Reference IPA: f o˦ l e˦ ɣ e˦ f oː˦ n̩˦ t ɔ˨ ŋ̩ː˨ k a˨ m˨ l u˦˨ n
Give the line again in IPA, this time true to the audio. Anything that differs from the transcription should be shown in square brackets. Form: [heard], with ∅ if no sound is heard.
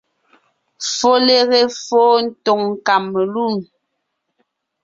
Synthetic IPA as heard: f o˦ l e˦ ɣ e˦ f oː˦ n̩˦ t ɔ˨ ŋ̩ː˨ k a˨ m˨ l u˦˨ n